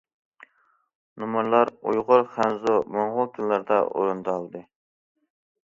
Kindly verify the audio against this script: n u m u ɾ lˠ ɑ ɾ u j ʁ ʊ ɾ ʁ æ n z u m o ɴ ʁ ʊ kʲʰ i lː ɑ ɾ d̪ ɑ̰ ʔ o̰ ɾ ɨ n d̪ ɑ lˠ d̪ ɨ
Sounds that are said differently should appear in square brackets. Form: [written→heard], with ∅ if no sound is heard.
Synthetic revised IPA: n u m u ɾ lˠ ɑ ɾ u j ʁ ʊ ɾ [ʁ→χ] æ n z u m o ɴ ʁ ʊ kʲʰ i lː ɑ ɾ d̪ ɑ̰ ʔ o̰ ɾ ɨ n d̪ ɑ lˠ d̪ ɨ